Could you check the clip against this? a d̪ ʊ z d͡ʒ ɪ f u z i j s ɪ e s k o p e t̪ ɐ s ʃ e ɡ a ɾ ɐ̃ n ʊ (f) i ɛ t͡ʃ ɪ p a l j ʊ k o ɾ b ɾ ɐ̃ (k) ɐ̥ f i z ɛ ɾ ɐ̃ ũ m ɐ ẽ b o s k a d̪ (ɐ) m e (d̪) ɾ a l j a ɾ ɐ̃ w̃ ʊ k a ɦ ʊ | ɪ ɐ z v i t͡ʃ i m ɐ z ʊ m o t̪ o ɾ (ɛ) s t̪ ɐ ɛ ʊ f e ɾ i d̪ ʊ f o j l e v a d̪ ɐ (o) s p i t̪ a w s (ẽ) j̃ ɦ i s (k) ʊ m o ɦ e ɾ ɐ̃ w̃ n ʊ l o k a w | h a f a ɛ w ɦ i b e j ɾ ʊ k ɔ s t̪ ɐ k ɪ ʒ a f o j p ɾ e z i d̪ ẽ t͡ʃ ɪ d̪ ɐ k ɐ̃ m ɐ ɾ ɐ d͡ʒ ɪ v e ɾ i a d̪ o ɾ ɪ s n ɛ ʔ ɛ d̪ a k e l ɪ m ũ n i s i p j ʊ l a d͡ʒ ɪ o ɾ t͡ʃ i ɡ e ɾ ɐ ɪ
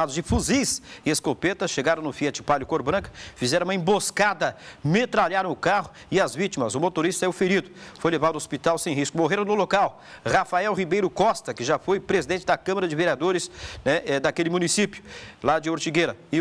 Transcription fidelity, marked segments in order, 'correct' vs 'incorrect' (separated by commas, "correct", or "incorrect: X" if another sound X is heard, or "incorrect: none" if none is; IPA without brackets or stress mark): correct, correct, correct, incorrect: t̪, incorrect: i, correct, correct, correct